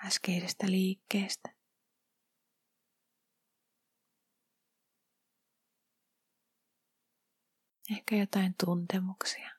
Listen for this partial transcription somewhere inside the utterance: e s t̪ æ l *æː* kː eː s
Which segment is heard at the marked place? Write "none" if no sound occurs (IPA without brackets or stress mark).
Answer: iː